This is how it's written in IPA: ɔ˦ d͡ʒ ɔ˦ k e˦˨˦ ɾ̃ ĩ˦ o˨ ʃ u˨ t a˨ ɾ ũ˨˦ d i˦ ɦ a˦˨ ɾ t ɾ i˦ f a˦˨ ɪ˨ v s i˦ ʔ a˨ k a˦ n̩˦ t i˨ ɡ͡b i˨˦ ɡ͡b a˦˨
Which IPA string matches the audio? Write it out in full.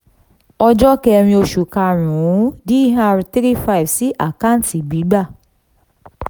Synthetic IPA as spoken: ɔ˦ d͡ʒ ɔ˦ k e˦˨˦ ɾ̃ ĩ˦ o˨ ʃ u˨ k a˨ ɾ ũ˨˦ d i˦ ɦ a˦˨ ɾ t ɾ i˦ f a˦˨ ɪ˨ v s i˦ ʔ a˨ k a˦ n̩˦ t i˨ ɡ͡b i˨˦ ɡ͡b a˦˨